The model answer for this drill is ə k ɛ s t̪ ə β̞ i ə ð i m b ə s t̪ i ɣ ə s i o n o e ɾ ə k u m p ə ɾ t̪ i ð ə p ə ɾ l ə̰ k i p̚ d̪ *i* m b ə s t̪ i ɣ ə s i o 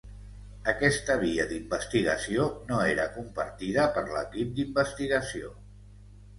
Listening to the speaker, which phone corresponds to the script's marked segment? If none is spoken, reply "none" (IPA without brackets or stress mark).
i